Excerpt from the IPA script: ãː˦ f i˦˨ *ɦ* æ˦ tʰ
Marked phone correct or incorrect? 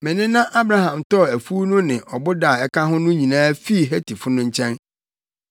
correct